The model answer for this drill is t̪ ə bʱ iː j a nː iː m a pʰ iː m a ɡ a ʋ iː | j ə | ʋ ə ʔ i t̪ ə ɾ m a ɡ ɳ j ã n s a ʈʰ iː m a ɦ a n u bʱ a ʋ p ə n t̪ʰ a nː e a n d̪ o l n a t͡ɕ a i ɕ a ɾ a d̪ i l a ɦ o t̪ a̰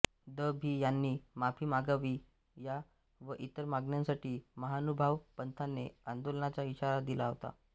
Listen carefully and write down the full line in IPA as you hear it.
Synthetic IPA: d̪ ə bʱ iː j a nː iː m a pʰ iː m a ɡ a ʋ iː | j a | ʋ ə ʔ i t̪ ə ɾ m a ɡ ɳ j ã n s a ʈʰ iː m ə ɦ a n u bʱ a ʋ p ə n t̪ʰ a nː e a n d̪ o l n a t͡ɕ a i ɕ a ɾ a d̪ i l a ɦ o t̪ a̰